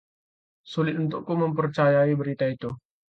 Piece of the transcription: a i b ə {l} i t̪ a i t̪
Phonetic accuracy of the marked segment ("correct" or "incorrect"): incorrect